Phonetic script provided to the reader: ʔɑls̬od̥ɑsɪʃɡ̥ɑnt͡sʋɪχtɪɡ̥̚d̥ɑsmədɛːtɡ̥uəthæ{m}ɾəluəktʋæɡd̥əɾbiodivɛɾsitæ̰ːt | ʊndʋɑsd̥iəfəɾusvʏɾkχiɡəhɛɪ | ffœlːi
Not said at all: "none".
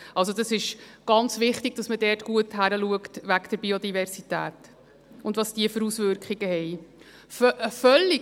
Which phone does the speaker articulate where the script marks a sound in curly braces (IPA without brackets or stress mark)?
none